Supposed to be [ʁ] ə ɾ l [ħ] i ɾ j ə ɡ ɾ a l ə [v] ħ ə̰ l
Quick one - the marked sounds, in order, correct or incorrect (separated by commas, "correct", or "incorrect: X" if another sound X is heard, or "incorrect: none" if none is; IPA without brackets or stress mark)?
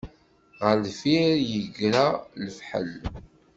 correct, incorrect: f, incorrect: f